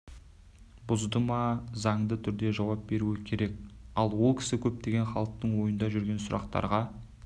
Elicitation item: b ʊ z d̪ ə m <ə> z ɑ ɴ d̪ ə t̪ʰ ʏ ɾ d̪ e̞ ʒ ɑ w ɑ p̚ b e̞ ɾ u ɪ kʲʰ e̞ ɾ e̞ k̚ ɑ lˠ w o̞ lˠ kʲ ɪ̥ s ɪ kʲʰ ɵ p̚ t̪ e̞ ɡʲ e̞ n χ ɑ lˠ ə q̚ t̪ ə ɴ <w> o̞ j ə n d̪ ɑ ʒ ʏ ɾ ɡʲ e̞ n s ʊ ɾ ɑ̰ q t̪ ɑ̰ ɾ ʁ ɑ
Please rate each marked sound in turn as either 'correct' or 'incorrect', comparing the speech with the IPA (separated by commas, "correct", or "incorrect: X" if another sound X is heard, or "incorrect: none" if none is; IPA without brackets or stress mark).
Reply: incorrect: ɑ, correct